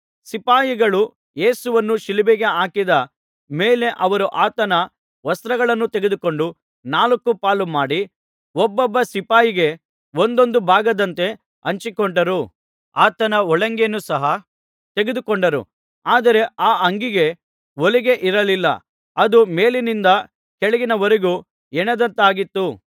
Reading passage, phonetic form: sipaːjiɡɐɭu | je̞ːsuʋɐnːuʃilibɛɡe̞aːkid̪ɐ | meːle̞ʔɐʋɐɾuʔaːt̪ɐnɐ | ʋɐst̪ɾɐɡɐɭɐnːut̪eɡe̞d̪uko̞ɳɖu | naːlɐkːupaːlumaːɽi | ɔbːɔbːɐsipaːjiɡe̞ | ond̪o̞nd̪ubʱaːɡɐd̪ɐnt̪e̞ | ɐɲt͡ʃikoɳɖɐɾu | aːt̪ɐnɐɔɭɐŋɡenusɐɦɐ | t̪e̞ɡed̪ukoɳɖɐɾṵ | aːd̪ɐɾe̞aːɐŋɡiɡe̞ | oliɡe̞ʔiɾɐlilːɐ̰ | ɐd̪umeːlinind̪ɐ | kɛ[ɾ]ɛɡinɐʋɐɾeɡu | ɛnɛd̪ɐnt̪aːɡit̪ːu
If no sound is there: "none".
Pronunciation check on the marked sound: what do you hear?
ɭ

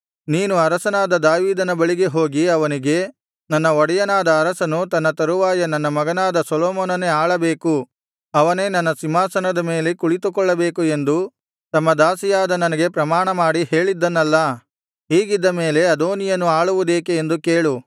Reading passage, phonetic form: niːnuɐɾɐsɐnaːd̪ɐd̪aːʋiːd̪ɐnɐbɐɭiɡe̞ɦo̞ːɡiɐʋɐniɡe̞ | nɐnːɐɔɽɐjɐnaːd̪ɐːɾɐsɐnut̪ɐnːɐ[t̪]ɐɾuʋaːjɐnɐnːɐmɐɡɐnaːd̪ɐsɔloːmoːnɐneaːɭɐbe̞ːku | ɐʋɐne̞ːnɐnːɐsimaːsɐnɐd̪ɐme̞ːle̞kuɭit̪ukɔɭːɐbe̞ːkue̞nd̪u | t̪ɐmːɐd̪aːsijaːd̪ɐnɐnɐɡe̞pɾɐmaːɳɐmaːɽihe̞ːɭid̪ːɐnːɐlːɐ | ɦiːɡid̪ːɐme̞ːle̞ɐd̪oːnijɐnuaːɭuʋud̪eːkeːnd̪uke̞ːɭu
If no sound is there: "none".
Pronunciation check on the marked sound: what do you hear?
t̪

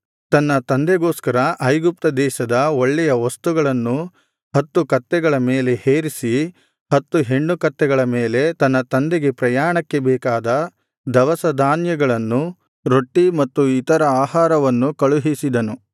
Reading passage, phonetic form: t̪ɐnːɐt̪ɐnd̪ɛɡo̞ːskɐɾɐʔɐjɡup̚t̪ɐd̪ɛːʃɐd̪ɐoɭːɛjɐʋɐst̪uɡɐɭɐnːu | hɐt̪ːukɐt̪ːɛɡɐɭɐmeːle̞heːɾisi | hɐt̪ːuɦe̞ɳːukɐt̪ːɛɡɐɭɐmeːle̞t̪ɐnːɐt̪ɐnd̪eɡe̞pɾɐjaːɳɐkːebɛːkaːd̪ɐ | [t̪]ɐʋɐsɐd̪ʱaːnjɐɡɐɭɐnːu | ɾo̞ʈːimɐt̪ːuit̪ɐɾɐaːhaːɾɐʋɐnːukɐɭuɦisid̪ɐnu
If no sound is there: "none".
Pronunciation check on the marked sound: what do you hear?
d̪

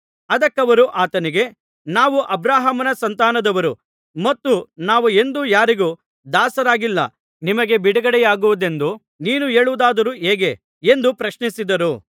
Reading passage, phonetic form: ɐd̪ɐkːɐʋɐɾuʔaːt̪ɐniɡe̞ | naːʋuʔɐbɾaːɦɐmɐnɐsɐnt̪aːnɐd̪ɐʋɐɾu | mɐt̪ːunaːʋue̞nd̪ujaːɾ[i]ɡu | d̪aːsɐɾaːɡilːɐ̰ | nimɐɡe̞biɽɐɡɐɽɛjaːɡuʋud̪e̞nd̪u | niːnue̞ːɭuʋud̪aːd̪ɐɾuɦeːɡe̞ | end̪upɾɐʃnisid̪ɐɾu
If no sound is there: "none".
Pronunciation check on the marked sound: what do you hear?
i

